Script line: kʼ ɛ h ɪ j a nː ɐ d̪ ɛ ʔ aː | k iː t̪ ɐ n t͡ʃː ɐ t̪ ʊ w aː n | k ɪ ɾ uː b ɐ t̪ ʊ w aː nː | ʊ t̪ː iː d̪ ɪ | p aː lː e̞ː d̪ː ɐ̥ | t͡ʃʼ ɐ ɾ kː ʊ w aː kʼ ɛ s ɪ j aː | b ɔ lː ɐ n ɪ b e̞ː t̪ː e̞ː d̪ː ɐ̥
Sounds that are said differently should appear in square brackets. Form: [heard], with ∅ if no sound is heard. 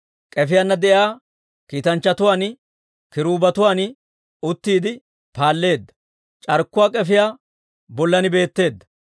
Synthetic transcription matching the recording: kʼ ɛ [f] ɪ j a nː ɐ d̪ ɛ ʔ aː | k iː t̪ ɐ n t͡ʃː ɐ t̪ ʊ w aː n | k ɪ ɾ uː b ɐ t̪ ʊ w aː [n] | ʊ t̪ː iː d̪ ɪ | p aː lː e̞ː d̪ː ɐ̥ | t͡ʃʼ ɐ ɾ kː ʊ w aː kʼ ɛ [f] ɪ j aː | b ɔ lː ɐ n ɪ b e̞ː t̪ː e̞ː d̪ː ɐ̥